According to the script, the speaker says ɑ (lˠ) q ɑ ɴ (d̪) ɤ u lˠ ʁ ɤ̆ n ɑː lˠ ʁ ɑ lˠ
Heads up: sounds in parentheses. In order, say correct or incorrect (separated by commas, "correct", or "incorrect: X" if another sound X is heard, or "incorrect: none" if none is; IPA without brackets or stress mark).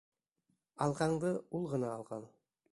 correct, correct